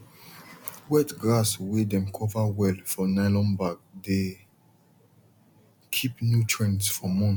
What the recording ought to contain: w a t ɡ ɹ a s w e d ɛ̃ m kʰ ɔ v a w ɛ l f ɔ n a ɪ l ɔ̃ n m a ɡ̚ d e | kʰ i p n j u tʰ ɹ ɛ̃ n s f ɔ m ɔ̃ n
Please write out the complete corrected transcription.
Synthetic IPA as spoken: w ɛ t ɡ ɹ a s w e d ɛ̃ m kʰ ɔ v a w ɛ l f ɔ n a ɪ l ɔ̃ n b a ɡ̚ d e | kʰ i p n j u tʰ ɹ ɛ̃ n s f ɔ m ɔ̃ n